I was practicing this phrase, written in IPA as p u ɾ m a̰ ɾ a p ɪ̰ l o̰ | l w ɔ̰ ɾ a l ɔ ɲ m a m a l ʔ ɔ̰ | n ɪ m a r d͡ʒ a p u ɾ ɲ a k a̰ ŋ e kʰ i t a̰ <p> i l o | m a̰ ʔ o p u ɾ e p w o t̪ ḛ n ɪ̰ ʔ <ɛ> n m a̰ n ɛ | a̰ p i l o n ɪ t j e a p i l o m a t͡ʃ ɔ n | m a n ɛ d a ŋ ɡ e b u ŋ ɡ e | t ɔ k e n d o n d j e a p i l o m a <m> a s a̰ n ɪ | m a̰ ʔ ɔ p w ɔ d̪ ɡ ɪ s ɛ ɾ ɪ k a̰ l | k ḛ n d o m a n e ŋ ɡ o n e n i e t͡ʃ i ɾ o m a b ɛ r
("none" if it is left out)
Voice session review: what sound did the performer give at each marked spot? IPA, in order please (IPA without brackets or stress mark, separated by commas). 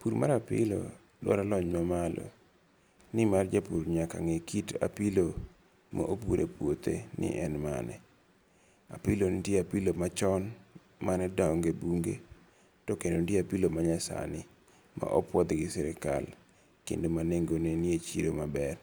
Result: p, ɛ, ɲ